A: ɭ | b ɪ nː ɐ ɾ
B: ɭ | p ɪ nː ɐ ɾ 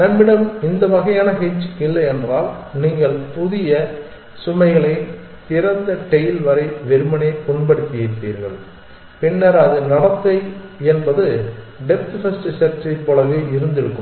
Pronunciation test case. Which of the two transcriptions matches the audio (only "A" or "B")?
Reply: B